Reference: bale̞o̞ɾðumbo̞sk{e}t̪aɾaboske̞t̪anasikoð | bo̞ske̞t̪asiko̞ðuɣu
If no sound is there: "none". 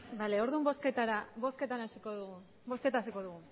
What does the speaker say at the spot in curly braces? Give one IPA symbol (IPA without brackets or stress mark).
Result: e